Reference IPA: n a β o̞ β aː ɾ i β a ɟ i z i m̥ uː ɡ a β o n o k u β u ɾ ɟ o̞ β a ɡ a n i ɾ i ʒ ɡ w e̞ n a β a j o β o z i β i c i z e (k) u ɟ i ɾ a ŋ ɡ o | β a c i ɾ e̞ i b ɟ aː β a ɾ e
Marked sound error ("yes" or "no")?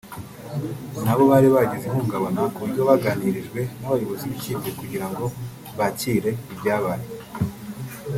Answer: no